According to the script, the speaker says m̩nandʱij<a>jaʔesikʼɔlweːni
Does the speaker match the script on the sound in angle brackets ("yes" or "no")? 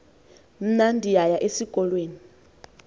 yes